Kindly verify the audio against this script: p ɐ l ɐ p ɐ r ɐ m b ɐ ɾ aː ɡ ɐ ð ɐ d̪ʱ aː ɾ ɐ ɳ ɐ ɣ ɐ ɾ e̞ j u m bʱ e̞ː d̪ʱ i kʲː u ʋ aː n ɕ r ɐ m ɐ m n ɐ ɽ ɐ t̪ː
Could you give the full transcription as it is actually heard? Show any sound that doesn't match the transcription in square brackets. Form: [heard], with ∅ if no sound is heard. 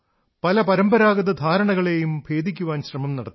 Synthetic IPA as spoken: p ɐ l ɐ p ɐ [ɾ] ɐ m b ɐ ɾ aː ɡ ɐ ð ɐ d̪ʱ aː ɾ ɐ ɳ ɐ ɣ ɐ [ɭ] e̞ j u m bʱ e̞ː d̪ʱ i kʲː u ʋ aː n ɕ r ɐ m ɐ m n ɐ ɽ ɐ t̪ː

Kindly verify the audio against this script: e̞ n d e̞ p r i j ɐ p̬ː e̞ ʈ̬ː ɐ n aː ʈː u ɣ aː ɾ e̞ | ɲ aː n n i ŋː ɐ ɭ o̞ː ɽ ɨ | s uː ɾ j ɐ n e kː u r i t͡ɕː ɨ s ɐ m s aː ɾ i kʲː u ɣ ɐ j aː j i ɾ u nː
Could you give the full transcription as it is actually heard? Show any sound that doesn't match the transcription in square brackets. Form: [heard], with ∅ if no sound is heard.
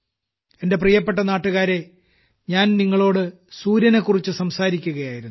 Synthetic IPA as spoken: e̞ n d e̞ p r i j ɐ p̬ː e̞ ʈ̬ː ɐ n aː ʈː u ɣ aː ɾ e̞ | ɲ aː n n i ŋː ɐ ɭ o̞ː ɽ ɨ | s uː ɾ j ɐ n e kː u r i t͡ɕː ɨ s ɐ m s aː ɾ i kʲː u ɣ ɐ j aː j i ɾ u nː

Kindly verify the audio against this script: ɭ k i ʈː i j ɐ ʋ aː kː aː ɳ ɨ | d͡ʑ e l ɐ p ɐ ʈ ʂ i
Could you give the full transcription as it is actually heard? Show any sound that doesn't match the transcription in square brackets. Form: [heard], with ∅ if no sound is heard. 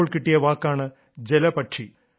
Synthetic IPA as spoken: ɭ k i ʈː i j ɐ ʋ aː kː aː ɳ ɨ | d͡ʑ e l ɐ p ɐ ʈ ʂ i

